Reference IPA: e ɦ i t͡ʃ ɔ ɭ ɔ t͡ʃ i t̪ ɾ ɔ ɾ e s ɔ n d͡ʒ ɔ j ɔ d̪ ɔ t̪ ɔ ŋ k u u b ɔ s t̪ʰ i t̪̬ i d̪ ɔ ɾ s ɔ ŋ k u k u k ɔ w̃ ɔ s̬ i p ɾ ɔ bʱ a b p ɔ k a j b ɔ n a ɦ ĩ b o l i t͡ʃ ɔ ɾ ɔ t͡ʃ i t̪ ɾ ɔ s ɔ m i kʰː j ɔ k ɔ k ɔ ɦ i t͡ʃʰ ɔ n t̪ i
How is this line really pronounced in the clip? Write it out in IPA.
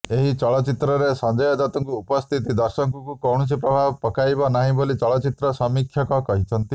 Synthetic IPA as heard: e ɦ i t͡ʃ ɔ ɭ ɔ t͡ʃ i t̪ ɾ ɔ ɾ e s ɔ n d͡ʒ ɔ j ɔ d̪ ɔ t̪ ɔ ŋ k u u p ɔ s t̪ʰ i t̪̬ i d̪ ɔ ɾ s ɔ ŋ k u k u k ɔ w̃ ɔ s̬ i p ɾ ɔ bʱ a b p ɔ k a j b ɔ n a ɦ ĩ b o l i t͡ʃ ɔ ɭ ɔ t͡ʃ i t̪ ɾ ɔ s ɔ m i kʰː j ɔ k ɔ k ɔ ɦ i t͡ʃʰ ɔ n t̪ i